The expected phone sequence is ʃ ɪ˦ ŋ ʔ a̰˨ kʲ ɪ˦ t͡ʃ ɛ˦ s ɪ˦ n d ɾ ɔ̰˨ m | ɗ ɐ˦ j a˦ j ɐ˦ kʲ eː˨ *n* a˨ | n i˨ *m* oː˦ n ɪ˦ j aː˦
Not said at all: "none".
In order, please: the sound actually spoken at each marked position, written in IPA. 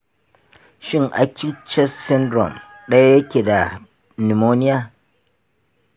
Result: d, m

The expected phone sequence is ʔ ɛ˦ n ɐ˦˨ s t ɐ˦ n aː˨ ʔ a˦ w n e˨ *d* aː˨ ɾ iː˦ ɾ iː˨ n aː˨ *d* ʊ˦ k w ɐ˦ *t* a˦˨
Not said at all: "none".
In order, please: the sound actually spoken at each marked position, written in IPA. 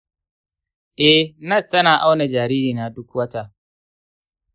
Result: d͡ʒ, d, t

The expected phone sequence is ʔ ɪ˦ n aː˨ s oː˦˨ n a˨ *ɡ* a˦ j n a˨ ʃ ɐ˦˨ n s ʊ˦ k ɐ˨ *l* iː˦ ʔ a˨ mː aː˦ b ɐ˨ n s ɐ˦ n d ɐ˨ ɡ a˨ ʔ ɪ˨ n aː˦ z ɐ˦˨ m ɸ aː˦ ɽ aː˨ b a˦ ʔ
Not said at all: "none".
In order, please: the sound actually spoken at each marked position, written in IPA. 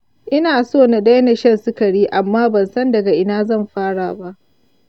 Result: d, ɽ

